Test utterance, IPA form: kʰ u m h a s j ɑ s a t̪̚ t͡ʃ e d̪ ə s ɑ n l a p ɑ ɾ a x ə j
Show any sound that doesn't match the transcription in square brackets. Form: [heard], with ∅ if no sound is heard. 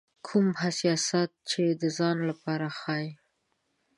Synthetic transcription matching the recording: kʰ u m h a s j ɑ s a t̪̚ t͡ʃ e d̪ ə [z] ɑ n l a p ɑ ɾ a x [ɑ] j